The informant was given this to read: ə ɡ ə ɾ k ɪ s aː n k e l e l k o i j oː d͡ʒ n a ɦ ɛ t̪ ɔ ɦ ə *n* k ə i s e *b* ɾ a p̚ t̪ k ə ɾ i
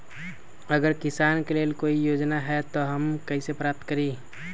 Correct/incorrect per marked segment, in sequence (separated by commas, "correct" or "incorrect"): incorrect, incorrect